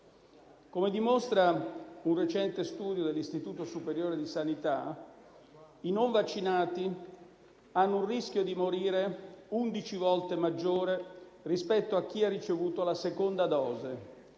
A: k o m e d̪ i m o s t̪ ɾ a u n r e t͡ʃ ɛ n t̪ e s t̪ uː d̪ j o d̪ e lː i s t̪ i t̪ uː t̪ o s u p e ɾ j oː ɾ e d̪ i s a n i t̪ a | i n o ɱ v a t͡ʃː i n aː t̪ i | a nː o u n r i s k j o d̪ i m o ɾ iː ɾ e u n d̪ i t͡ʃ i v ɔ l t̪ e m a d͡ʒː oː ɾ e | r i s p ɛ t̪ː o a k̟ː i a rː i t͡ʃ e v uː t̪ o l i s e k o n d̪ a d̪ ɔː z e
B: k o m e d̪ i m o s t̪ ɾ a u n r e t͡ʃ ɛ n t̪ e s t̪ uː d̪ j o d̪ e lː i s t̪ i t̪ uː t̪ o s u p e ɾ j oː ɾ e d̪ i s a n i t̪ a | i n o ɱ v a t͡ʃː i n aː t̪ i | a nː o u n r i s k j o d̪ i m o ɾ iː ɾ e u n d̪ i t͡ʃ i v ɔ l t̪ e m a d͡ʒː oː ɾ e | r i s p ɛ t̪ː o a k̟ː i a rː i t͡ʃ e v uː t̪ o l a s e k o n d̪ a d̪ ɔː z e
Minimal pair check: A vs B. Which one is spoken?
B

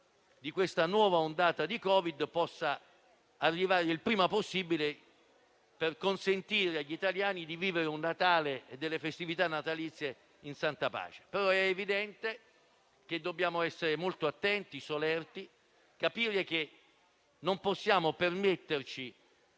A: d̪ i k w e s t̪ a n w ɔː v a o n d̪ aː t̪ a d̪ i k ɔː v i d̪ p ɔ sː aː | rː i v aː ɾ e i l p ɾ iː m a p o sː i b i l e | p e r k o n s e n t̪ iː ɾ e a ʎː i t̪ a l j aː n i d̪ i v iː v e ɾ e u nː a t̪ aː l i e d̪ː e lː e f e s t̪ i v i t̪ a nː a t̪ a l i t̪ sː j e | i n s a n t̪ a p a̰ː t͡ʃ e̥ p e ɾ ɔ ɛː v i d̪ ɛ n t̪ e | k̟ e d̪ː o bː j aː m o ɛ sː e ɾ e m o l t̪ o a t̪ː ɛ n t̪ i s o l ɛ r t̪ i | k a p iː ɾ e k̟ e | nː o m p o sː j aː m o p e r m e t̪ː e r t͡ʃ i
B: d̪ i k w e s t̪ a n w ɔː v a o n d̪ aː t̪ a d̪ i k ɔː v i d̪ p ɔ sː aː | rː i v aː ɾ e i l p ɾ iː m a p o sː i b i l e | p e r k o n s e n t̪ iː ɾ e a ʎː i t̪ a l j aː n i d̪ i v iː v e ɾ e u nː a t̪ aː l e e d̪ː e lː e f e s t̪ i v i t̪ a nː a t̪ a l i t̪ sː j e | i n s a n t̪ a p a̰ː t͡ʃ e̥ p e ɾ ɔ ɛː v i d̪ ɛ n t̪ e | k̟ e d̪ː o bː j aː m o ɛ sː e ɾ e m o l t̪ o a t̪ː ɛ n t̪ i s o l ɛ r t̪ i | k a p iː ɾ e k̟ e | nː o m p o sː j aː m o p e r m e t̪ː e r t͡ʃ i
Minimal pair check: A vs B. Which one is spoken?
B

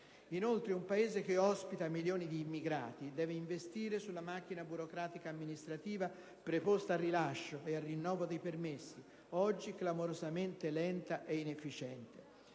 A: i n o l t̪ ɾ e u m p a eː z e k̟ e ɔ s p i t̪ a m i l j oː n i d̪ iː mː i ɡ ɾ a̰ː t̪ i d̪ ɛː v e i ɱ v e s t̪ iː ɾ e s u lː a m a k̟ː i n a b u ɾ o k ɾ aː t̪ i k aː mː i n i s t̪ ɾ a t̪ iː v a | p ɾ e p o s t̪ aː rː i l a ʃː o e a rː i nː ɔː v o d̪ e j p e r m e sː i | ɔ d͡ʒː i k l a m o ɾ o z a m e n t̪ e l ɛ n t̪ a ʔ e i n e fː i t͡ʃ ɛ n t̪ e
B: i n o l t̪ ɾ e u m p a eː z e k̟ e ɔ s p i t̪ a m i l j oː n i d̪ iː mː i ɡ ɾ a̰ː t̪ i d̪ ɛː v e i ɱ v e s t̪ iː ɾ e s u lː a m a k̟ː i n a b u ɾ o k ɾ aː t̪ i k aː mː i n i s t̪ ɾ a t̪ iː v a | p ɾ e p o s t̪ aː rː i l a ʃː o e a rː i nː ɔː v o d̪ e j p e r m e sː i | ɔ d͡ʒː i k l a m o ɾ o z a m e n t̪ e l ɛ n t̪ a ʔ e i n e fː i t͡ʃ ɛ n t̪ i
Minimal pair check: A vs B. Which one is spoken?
A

